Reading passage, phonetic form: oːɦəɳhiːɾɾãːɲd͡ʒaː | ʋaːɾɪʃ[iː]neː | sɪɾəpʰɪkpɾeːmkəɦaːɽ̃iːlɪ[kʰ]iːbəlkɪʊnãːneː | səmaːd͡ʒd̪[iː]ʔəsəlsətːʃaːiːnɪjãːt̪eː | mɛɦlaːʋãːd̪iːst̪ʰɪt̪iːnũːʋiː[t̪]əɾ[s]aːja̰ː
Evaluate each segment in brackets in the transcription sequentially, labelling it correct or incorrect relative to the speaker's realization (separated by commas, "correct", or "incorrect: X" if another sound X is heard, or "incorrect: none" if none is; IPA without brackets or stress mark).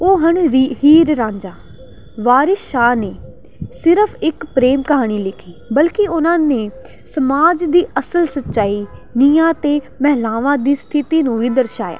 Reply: incorrect: aː, correct, correct, incorrect: d̪, incorrect: ʃ